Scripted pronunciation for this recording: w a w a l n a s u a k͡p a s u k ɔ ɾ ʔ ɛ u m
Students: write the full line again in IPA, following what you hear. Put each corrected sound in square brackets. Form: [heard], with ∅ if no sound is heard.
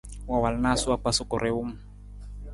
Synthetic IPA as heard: w a w a l n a s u a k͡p a s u k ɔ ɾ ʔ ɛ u m